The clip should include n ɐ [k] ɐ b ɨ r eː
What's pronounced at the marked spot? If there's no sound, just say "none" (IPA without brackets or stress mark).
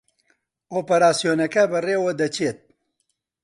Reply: k